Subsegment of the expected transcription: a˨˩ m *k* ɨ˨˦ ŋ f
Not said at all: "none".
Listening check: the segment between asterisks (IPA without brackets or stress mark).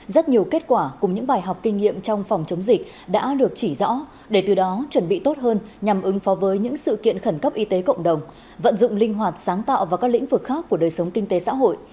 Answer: ʔ